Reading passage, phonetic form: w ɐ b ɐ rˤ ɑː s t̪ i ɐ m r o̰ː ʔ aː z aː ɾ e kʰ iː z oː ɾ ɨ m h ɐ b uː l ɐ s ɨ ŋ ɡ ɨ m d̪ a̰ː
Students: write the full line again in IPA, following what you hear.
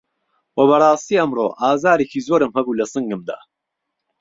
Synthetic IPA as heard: w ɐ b ɐ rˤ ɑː s t̪ i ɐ m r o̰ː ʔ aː z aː ɾ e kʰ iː z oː ɾ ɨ m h ɐ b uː l ɐ s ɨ ŋ ɡ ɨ m d̪ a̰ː